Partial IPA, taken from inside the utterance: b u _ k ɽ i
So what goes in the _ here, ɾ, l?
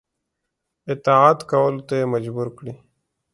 ɾ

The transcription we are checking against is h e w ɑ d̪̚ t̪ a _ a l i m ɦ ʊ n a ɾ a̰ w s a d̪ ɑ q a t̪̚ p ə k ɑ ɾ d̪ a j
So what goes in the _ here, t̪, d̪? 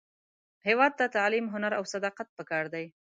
t̪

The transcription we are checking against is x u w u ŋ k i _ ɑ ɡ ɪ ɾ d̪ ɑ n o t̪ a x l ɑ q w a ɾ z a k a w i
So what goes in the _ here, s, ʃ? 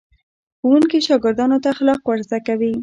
ʃ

